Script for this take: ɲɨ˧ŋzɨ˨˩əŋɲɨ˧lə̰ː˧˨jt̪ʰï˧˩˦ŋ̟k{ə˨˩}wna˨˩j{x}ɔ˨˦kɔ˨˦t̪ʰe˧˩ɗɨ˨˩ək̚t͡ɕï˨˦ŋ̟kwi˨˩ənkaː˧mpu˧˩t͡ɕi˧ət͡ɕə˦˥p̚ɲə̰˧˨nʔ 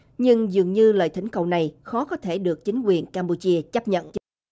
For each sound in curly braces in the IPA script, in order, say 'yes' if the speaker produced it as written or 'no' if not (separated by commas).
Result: yes, yes